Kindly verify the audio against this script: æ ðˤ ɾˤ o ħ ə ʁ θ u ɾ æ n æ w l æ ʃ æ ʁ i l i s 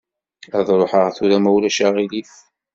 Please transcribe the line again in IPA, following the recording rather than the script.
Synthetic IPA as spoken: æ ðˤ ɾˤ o ħ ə ʁ θ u ɾ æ m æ w l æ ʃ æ ʁ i l i θ